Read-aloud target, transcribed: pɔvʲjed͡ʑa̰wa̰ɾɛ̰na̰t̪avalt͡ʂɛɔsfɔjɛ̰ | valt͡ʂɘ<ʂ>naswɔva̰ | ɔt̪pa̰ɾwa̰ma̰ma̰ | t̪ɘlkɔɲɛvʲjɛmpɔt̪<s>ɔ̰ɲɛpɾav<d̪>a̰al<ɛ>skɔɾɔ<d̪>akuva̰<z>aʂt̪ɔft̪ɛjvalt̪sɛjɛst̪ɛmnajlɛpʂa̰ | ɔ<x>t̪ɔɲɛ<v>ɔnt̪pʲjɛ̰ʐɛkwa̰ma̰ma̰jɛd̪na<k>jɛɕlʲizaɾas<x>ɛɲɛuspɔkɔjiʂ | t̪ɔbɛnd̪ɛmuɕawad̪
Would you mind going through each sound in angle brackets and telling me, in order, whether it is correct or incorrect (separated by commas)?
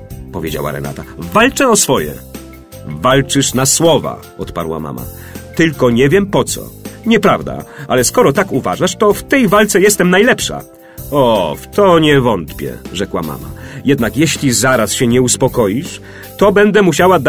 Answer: correct, correct, correct, correct, incorrect, incorrect, incorrect, correct, correct, incorrect